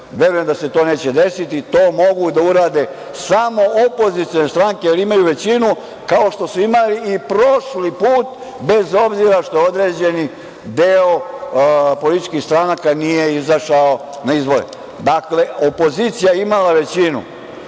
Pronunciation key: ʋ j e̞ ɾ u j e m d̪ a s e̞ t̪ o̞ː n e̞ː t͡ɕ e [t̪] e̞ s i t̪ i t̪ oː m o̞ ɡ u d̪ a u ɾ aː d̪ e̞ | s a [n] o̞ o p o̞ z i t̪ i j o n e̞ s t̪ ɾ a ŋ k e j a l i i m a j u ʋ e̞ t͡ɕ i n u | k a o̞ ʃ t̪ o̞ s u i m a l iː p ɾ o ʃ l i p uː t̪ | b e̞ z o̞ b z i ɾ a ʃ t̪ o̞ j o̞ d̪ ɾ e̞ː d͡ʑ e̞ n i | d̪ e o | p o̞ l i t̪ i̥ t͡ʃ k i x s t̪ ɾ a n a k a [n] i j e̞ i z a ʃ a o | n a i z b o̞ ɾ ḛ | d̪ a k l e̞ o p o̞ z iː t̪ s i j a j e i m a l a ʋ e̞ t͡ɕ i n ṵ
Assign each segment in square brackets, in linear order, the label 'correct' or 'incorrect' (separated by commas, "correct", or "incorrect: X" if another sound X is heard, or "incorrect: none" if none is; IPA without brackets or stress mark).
incorrect: d̪, incorrect: m, correct